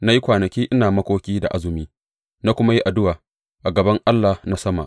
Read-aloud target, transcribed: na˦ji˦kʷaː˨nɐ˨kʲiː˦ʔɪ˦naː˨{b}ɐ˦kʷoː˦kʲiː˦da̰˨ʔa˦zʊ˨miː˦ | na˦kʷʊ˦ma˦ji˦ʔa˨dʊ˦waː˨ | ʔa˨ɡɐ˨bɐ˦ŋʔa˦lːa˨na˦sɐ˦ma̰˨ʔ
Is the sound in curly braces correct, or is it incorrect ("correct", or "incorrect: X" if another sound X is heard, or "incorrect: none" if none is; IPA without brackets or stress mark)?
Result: incorrect: m